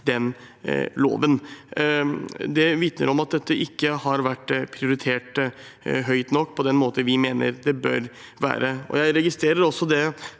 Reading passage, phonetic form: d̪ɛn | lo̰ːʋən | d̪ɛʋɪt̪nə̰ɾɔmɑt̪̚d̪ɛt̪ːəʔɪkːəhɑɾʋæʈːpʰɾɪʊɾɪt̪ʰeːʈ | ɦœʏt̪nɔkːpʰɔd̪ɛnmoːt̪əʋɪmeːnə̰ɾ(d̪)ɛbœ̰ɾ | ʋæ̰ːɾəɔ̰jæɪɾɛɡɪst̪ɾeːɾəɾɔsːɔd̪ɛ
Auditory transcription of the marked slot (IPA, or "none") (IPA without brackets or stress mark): d̪